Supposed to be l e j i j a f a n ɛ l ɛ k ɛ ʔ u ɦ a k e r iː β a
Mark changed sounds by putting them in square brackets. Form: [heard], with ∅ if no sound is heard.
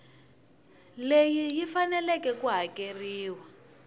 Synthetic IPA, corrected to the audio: l e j i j [i] f a n ɛ l ɛ k ɛ [k] u ɦ a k e r iː [w] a